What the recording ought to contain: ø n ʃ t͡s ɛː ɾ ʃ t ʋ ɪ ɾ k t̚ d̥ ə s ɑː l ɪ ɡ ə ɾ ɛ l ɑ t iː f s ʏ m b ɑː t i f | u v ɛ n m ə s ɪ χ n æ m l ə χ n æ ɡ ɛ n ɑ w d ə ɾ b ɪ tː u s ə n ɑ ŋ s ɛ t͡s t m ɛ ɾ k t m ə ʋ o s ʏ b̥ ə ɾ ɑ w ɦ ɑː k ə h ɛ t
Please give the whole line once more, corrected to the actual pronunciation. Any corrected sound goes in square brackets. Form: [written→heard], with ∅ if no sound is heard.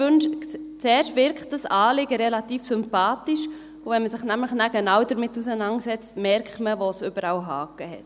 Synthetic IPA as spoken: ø n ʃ t͡s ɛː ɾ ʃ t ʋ ɪ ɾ k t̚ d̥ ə s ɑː l ɪ ɡ ə ɾ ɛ l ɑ t iː f s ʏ m [b→p] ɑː t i [f→ʃ] | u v ɛ n m ə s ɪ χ n æ m l ə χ n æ ɡ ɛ n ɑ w d ə ɾ [b→m] ɪ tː u s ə n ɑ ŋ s ɛ t͡s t m ɛ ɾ k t m ə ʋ o s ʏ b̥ ə ɾ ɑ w ɦ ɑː k ə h ɛ t